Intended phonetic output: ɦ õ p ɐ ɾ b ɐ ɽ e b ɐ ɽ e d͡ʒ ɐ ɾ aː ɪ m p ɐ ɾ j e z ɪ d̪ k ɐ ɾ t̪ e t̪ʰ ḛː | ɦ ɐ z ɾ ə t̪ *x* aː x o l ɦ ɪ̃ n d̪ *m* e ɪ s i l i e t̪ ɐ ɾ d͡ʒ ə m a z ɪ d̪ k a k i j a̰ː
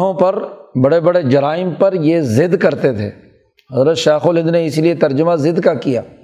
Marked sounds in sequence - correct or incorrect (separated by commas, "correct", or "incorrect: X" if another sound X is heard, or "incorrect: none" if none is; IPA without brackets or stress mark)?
incorrect: ʃ, incorrect: n